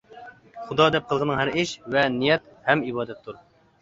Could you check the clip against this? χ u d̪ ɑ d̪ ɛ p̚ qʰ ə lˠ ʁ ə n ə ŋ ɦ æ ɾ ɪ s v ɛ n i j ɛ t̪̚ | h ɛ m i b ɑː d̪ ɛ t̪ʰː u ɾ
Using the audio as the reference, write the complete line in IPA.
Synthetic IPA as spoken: χ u d̪ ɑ d̪ ɛ p̚ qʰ ə lˠ ʁ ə n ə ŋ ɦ æ ɾ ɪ ʃ v ɛ n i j ɛ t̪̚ | h ɛ m i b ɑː d̪ ɛ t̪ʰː u ɾ